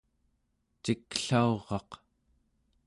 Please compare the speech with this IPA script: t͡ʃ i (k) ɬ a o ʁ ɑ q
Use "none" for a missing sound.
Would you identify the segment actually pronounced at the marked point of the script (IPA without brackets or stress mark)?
k